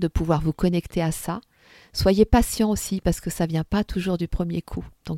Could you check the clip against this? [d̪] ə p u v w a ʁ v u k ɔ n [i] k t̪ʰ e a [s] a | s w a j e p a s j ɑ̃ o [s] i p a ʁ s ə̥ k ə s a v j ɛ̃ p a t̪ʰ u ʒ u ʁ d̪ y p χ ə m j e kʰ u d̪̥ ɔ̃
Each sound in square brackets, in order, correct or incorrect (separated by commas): correct, incorrect, correct, correct